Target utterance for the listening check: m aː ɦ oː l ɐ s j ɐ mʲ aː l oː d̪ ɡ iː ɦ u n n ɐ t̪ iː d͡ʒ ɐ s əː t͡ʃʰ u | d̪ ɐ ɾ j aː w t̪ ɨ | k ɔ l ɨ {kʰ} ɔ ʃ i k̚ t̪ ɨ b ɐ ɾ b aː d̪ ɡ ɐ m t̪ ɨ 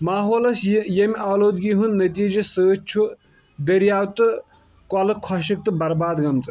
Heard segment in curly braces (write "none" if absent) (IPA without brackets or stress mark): kʰ